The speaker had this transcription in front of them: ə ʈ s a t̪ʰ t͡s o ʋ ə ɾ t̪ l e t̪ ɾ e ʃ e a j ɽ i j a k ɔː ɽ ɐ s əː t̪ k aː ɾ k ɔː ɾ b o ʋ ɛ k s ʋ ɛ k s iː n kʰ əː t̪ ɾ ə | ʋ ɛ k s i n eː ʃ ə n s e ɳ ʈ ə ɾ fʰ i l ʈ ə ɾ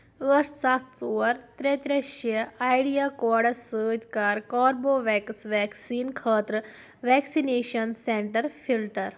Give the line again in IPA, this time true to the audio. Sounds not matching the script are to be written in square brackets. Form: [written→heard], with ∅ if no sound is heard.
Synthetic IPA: ə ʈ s a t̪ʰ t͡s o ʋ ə ɾ t̪ [l→ɾ] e t̪ ɾ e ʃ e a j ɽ i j a k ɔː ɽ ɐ s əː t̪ k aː ɾ k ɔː ɾ b o ʋ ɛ k s ʋ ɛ k s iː n kʰ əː t̪ ɾ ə | ʋ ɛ k s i n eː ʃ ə n s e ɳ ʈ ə ɾ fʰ i l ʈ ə ɾ